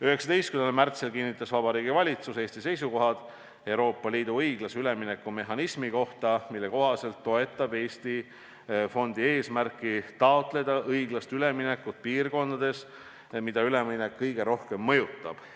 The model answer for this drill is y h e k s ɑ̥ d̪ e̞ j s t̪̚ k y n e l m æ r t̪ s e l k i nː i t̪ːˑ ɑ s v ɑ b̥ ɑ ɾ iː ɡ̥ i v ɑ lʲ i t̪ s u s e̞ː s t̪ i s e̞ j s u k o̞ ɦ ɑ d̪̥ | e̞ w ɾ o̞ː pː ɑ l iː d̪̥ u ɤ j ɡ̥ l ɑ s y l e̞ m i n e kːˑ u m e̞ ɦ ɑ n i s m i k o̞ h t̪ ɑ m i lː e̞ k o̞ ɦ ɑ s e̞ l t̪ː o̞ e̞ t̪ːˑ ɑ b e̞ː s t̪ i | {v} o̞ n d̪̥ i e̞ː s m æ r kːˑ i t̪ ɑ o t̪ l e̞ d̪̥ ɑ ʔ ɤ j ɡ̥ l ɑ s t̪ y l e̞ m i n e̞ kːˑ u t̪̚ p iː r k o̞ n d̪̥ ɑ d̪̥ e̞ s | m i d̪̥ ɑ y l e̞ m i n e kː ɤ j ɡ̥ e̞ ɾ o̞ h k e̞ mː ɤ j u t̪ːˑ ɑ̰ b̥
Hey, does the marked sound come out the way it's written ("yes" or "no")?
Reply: no